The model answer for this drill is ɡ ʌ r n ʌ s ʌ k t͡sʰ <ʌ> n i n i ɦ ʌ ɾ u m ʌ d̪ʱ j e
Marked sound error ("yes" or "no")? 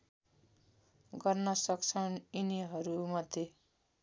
no